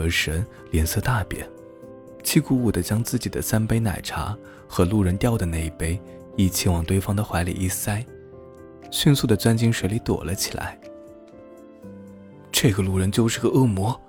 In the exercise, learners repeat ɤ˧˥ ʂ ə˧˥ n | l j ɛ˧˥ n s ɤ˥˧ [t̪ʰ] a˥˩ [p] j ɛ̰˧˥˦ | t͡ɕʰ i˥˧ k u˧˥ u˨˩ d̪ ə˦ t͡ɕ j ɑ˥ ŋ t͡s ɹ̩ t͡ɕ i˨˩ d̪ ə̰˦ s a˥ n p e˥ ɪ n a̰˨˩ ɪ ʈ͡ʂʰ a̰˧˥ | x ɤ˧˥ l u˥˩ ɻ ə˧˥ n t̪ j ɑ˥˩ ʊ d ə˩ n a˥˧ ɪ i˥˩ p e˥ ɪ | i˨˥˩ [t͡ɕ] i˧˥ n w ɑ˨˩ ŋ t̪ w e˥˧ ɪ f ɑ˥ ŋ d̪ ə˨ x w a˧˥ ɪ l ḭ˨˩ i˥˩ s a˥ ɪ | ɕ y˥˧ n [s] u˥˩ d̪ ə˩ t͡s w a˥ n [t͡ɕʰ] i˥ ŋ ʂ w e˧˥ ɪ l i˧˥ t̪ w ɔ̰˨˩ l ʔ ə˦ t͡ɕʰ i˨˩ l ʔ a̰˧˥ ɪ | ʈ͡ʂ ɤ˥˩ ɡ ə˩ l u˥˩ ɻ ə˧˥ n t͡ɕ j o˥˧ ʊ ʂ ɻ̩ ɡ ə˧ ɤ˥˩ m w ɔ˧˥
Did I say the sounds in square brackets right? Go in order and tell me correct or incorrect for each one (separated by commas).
incorrect, correct, incorrect, correct, incorrect